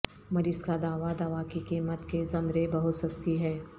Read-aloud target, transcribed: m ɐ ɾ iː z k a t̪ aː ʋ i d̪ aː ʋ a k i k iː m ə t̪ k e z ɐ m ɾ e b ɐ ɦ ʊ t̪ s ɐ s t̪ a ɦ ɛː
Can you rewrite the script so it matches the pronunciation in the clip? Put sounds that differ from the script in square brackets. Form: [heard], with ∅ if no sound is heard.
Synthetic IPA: m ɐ ɾ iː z k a [d̪] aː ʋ [a] d̪ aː ʋ a k i k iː m ə t̪ k e z ɐ m ɾ e b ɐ ɦ ʊ t̪ s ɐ s t̪ [i] ɦ ɛː